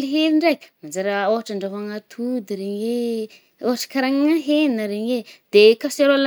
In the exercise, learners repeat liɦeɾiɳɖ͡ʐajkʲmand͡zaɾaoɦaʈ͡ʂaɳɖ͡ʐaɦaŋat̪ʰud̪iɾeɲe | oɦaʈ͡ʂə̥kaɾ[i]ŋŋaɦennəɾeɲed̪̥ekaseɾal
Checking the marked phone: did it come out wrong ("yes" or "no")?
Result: yes